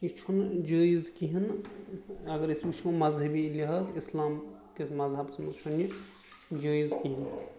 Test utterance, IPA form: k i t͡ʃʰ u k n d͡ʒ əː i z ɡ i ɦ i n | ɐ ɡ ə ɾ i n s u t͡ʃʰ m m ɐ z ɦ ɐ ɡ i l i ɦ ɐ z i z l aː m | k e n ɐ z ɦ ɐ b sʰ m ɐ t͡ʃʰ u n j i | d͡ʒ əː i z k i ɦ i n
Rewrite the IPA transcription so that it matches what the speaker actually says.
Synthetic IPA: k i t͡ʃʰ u n d͡ʒ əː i z k i ɦ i n | ɐ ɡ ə ɾ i s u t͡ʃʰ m m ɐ z ɦ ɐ b i l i ɦ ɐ z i s l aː m | k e m ɐ z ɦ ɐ b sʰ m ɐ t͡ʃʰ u n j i | d͡ʒ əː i z k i ɦ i n